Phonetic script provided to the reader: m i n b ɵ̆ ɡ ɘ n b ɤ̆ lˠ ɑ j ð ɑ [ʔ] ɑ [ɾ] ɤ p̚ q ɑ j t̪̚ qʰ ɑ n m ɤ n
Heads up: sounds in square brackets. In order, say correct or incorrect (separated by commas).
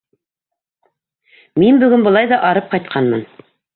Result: correct, correct